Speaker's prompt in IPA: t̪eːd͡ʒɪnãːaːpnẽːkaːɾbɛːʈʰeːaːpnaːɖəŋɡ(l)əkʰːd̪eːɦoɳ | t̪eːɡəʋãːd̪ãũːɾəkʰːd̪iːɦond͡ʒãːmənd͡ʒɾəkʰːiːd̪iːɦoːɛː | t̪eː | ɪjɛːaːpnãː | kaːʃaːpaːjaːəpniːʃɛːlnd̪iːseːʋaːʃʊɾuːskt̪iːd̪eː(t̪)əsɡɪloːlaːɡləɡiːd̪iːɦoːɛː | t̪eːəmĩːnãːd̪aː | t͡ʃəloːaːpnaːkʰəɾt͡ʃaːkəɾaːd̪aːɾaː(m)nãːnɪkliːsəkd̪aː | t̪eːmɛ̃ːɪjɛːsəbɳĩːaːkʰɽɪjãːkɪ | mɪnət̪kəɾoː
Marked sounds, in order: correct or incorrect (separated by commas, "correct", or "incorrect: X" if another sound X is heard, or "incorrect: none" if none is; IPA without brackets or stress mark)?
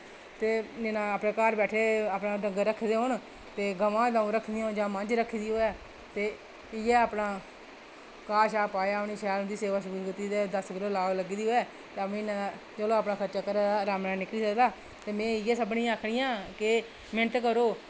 incorrect: ɾ, incorrect: d̪, correct